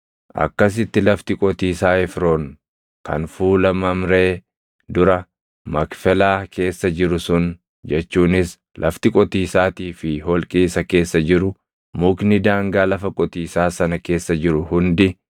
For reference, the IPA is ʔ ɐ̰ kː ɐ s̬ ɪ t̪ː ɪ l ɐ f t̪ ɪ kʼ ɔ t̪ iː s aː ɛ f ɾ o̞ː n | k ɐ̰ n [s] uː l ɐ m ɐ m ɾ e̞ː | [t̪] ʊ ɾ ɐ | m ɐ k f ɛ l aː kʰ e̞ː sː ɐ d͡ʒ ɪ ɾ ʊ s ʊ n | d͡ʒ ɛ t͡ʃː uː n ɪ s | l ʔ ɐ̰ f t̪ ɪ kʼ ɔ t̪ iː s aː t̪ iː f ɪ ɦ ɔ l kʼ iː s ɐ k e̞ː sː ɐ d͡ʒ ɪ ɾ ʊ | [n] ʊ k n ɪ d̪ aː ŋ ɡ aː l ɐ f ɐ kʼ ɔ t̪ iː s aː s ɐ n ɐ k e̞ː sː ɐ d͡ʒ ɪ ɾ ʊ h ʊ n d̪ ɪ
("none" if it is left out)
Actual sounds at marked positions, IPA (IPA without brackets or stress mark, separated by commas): f, d̪, m